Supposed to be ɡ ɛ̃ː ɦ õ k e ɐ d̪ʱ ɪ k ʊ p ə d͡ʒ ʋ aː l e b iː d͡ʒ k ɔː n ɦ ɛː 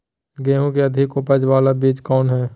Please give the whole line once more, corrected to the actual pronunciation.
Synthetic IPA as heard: ɡ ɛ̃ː ɦ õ k e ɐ d̪ʱ ɪ k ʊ p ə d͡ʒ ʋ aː l a b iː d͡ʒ k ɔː n ɦ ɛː